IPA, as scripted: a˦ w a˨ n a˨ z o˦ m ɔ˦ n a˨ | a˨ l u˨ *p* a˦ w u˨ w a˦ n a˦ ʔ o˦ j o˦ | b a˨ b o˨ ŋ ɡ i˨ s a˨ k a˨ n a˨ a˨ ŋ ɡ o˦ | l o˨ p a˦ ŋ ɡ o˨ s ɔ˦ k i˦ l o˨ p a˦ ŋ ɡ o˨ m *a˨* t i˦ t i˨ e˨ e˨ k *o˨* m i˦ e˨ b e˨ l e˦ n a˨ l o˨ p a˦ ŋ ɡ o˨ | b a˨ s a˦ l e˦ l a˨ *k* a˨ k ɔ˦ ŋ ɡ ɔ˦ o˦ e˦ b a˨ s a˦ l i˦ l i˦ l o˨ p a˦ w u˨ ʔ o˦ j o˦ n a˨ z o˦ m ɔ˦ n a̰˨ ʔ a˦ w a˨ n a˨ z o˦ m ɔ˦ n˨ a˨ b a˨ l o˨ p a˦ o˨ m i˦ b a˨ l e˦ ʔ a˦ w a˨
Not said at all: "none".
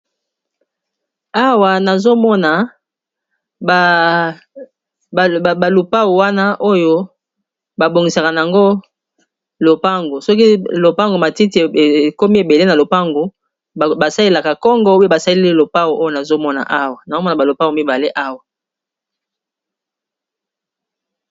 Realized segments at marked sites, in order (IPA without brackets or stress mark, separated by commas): p, a˨, o˦, k